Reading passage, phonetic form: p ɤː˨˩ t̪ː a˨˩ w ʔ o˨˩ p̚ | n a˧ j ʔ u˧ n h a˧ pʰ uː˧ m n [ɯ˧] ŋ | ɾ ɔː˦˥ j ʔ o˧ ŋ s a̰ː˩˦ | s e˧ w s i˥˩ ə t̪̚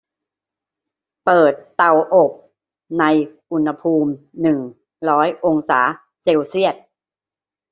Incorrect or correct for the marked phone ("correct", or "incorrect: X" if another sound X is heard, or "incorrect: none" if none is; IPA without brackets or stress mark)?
incorrect: ɯ˨˩